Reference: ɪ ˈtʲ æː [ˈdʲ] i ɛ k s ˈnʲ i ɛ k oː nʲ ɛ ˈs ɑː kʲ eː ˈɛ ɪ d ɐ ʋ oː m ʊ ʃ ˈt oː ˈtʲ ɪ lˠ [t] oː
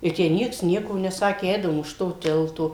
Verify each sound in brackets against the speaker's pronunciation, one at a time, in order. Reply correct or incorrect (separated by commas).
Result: incorrect, correct